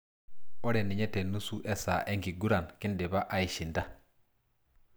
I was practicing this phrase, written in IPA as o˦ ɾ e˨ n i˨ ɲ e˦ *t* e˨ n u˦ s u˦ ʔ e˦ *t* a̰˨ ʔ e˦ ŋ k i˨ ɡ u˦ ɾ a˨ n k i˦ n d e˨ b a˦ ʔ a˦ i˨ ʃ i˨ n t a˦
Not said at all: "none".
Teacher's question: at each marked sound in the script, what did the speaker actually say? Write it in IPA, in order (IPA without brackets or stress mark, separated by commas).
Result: t, s